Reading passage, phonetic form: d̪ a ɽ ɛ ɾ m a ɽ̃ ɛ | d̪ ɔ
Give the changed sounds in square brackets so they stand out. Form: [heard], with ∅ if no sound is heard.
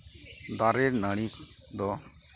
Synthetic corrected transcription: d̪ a [ɾ] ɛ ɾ [n] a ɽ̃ [i] | d̪ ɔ